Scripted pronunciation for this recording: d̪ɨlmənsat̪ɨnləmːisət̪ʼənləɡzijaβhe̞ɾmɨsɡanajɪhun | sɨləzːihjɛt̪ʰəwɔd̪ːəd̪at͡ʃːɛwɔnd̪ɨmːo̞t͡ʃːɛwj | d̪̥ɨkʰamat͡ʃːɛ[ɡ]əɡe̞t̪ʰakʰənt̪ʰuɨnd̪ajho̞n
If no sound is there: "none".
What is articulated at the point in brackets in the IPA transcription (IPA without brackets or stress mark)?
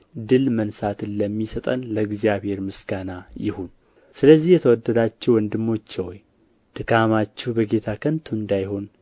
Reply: b